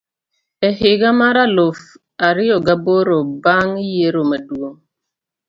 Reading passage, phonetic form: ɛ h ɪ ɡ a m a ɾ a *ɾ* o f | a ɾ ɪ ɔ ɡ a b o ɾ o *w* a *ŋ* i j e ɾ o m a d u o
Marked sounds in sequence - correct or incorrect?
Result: incorrect, incorrect, correct

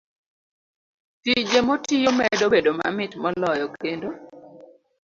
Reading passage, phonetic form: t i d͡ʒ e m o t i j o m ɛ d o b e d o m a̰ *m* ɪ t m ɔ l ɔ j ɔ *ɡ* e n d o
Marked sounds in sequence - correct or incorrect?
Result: correct, incorrect

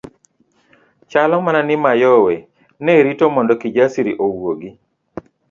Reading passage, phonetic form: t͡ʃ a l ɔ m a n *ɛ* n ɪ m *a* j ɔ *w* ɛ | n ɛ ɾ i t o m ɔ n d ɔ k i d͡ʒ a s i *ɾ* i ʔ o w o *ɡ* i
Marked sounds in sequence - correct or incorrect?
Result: incorrect, correct, correct, correct, correct

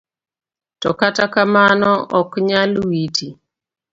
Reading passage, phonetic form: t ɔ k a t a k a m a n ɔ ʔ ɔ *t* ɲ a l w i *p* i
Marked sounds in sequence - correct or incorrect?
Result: incorrect, incorrect

